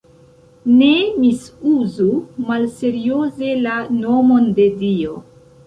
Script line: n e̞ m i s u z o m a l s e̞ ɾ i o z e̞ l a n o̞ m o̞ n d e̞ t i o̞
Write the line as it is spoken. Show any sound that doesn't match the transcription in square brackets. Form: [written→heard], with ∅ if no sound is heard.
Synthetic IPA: n e̞ m i s u z [o→u] m a l s e̞ ɾ i o z e̞ l a n o̞ m o̞ n d e̞ [t→d] i o̞